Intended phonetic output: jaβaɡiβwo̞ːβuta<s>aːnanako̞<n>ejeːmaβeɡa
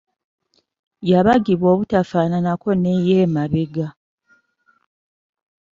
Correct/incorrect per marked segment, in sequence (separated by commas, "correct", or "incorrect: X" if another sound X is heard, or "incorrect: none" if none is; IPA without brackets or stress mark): incorrect: f, correct